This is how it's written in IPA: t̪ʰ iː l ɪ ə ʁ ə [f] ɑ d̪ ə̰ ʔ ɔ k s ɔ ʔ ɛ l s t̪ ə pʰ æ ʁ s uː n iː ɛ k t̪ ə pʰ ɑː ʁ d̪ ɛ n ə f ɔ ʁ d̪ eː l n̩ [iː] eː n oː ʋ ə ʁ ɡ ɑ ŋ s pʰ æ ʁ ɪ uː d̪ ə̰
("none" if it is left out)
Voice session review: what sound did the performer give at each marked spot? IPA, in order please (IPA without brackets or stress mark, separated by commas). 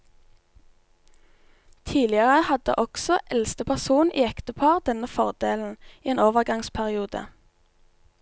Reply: h, iː